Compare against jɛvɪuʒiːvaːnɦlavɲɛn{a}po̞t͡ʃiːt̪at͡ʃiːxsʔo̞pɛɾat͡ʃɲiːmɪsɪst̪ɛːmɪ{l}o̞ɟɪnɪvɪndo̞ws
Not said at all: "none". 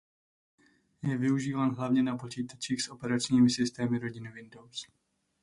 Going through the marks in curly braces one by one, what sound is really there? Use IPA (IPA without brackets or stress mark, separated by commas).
a, ɾ